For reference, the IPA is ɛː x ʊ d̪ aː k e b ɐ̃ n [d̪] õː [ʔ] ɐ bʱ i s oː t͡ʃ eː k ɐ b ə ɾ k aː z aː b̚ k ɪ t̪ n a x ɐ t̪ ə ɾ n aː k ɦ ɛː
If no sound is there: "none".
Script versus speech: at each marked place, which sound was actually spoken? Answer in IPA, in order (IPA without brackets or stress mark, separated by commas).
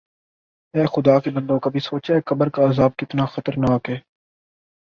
d̪, k